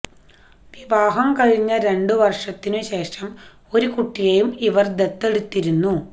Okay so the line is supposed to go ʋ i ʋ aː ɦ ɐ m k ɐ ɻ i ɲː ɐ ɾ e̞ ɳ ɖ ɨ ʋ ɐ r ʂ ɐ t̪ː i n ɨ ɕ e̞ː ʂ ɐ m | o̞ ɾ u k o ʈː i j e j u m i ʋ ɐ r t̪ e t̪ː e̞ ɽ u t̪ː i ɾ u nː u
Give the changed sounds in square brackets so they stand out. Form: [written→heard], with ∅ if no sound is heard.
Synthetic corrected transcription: ʋ i ʋ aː ɦ ɐ m k ɐ ɻ i ɲː ɐ ɾ e̞ ɳ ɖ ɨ ʋ ɐ r ʂ ɐ t̪ː i n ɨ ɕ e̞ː ʂ ɐ m | o̞ ɾ u k [o→u] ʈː i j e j u m i ʋ ɐ r [t̪→d̪] e t̪ː e̞ ɽ u t̪ː i ɾ u nː u